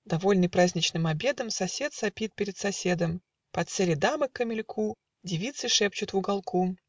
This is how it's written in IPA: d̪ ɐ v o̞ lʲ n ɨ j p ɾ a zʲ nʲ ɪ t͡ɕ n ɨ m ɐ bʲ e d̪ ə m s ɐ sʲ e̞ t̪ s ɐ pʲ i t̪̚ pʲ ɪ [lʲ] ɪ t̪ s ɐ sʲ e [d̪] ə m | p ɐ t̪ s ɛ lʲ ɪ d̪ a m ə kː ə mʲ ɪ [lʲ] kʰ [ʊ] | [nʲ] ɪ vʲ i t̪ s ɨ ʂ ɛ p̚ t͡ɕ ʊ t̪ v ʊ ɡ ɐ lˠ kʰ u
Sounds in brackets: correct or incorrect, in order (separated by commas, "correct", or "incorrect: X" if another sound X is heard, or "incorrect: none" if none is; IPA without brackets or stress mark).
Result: incorrect: ɾʲ, correct, correct, incorrect: u, incorrect: dʲ